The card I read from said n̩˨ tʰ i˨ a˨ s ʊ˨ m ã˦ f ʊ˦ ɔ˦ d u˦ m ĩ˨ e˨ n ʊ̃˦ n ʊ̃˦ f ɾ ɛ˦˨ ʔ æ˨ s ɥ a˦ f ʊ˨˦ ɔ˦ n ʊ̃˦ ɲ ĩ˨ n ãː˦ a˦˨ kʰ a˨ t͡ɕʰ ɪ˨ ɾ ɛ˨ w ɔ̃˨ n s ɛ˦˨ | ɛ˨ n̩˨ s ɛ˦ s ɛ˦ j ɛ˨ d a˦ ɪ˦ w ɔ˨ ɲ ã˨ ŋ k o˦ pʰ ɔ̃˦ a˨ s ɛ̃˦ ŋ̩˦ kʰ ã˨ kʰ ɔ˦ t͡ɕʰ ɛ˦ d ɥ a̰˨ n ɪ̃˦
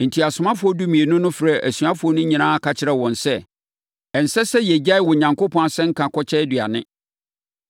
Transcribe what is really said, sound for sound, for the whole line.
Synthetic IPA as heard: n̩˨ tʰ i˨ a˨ s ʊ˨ m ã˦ f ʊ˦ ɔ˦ d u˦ m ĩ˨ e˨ n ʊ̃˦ n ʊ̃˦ f ɾ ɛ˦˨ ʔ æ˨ s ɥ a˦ f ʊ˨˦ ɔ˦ n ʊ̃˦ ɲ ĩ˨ n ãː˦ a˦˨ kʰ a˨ t͡ɕʰ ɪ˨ ɾ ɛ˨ w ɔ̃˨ n s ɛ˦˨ | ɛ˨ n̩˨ s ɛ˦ s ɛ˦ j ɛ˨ d͡ʑ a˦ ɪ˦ w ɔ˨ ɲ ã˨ ŋ k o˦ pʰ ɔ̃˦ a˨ s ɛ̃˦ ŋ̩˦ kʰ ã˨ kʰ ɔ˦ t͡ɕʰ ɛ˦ d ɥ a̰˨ n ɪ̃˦